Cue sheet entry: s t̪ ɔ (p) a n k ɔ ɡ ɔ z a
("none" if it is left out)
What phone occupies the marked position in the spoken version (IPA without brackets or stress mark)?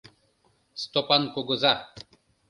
p